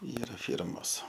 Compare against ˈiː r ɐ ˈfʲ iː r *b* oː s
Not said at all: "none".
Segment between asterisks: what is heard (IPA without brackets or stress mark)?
m